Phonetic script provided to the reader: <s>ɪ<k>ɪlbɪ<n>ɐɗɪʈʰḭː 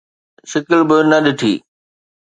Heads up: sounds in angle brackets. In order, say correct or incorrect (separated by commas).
correct, correct, correct